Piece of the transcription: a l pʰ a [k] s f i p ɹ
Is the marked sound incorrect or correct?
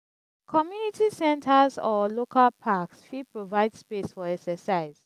correct